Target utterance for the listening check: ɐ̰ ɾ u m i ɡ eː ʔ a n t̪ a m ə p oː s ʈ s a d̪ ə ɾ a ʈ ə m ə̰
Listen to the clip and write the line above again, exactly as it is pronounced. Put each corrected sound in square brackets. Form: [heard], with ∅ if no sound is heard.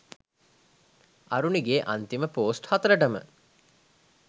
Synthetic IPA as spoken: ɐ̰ ɾ u [n] i ɡ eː ʔ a n t̪ [i] m ə p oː s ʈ [h] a [t̪] ə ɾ [ə] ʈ ə m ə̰